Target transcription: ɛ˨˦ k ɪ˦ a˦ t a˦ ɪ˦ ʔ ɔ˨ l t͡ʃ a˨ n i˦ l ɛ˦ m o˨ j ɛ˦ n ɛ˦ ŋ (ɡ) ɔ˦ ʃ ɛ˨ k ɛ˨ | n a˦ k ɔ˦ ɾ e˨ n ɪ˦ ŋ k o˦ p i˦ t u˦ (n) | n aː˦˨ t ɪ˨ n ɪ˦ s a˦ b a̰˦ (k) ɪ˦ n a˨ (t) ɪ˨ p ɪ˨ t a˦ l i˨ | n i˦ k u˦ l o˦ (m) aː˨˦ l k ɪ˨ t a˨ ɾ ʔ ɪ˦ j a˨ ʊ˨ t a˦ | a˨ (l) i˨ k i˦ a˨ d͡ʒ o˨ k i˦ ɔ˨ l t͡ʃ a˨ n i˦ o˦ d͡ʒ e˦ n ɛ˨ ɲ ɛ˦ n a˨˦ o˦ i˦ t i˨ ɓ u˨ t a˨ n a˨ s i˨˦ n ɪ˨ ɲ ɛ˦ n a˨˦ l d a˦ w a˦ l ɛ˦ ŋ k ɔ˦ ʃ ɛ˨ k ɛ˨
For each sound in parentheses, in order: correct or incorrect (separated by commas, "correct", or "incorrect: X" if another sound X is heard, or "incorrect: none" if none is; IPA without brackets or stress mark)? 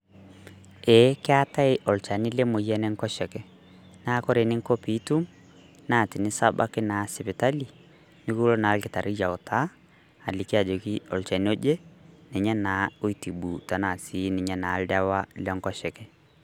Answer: incorrect: k, incorrect: m, correct, incorrect: s, incorrect: n, correct